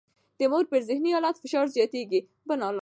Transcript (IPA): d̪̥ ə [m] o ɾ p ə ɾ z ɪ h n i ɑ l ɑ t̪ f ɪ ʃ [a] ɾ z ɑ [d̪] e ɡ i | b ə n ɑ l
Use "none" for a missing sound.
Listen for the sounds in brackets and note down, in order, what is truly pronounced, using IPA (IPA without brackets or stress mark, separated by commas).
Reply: m, ɑ, t̪